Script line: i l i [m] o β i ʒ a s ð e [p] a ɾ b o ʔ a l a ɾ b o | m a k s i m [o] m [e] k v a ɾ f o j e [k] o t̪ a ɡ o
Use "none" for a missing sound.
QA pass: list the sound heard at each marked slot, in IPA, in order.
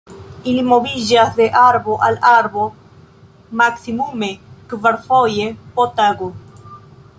m, ʔ, u, e, p

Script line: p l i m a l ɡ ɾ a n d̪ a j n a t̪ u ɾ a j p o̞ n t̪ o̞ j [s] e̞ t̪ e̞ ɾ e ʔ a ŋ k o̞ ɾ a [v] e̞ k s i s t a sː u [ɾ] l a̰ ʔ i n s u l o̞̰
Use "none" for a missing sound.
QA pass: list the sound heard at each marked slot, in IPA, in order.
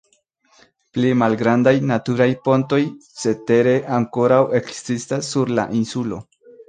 s, w, ɾ

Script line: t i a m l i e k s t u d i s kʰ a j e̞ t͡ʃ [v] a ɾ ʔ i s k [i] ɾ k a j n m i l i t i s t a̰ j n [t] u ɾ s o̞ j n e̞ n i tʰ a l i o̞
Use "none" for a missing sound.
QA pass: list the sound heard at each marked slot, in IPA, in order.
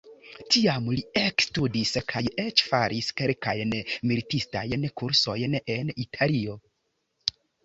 f, e, k

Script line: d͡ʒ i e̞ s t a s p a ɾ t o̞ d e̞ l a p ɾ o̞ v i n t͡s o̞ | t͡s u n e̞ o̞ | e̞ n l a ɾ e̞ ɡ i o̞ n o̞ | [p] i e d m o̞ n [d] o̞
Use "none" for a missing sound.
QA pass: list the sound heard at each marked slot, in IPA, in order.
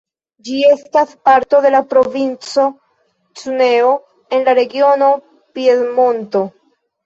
p, t

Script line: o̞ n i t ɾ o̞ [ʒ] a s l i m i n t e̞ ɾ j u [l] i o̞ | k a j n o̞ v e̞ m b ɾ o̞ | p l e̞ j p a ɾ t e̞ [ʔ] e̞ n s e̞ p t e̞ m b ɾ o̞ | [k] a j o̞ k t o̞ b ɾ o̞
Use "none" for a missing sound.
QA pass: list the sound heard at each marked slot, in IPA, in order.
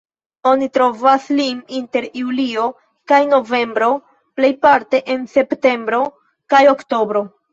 v, l, ʔ, k

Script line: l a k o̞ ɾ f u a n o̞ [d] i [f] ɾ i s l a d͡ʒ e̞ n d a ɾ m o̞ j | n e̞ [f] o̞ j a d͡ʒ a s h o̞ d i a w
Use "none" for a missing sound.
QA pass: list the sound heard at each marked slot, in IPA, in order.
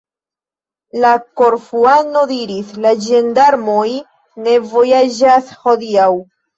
d, none, v

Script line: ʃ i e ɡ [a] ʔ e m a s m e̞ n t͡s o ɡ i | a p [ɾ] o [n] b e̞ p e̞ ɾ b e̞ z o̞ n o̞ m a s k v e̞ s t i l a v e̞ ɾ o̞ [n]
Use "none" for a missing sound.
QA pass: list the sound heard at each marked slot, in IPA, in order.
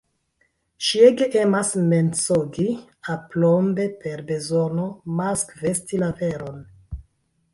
e, l, m, n

